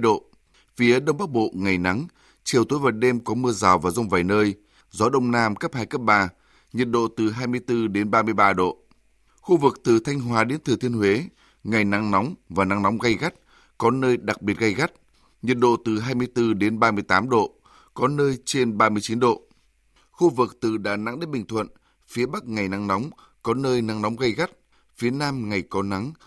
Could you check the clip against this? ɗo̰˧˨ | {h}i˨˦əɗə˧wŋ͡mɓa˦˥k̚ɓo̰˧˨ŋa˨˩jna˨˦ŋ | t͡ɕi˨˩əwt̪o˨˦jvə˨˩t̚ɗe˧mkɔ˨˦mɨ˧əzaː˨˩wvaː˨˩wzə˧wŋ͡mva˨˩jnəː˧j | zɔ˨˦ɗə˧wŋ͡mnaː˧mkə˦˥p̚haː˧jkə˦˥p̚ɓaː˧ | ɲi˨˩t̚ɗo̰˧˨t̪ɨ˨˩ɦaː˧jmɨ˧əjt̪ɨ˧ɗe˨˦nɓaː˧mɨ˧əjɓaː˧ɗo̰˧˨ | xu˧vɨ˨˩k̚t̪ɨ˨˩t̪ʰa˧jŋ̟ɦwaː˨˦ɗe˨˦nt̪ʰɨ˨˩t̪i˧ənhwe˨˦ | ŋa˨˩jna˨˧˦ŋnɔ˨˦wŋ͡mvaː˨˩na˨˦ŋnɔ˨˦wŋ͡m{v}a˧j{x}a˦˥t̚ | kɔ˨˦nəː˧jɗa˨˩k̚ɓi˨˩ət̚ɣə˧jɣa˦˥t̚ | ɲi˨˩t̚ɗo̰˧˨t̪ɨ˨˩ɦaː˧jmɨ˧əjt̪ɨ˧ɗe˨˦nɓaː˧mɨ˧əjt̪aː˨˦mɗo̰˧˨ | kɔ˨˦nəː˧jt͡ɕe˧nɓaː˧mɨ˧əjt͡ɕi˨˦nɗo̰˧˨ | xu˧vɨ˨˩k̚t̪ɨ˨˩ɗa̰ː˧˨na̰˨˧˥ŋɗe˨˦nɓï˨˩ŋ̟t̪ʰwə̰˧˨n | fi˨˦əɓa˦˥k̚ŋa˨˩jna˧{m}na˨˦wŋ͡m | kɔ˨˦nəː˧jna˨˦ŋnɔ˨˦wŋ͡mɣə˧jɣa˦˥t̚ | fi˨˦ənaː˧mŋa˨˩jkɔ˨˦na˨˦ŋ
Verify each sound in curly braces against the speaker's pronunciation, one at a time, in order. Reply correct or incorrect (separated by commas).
incorrect, incorrect, incorrect, incorrect